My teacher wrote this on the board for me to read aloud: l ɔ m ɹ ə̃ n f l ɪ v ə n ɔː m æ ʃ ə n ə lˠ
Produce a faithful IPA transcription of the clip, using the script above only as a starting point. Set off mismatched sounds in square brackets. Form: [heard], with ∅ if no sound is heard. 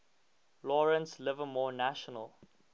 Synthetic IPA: l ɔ [∅] ɹ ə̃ n [s] l ɪ v ə [m] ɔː [n] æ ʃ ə n ə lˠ

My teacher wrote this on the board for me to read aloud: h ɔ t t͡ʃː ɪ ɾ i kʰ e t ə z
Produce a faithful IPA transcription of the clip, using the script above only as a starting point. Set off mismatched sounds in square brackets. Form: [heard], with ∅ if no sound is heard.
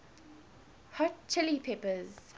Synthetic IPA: h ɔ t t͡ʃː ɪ [l] i [pʰ] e [p] ə z

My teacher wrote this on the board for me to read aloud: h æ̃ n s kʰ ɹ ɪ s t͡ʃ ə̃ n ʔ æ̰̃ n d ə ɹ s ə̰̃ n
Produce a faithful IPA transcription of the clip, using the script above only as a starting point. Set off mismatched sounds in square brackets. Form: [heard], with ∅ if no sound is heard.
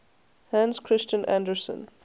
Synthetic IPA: h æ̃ n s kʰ ɹ ɪ s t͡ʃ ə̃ n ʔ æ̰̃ n d ə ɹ s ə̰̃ n

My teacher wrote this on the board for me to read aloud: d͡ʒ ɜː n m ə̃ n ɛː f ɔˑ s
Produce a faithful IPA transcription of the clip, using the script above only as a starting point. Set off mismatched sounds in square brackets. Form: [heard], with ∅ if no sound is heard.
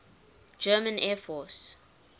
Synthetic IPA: d͡ʒ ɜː [∅] m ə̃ n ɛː f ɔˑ s

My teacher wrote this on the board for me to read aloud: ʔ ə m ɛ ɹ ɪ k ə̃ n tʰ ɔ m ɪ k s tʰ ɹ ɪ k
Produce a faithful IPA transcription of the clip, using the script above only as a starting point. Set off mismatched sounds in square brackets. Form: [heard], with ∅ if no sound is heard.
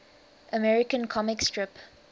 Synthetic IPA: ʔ ə m ɛ ɹ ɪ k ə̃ n [kʰ] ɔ m ɪ k s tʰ ɹ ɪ [p]

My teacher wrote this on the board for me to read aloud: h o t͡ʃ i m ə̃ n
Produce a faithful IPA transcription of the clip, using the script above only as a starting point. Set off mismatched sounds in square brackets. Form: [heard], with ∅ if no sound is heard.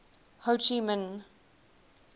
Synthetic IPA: h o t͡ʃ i m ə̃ n

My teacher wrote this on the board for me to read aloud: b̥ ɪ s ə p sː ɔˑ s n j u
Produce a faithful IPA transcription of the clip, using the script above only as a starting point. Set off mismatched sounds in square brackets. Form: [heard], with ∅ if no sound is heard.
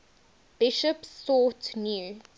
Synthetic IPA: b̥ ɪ [ʃ] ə p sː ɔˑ [t] n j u

